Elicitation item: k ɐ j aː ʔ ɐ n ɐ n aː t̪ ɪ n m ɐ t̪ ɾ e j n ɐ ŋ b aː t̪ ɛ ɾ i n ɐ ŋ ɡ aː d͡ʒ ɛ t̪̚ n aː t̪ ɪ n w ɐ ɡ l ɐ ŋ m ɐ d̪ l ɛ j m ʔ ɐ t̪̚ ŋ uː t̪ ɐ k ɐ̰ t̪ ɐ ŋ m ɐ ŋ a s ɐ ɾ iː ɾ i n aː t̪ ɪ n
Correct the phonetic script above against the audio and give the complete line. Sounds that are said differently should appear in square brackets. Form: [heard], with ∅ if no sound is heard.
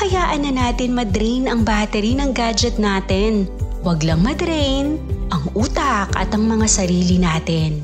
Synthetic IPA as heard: k ɐ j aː ʔ ɐ n ɐ n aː t̪ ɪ n m ɐ [d̪] ɾ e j n ɐ ŋ b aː t̪ ɛ ɾ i n ɐ ŋ ɡ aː d͡ʒ ɛ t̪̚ n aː t̪ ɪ n w ɐ ɡ l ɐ ŋ m ɐ d̪ [ɾ] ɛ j [n] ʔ ɐ [∅] ŋ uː t̪ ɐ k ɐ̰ t̪ ɐ ŋ m ɐ ŋ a s ɐ ɾ iː [l] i n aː t̪ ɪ n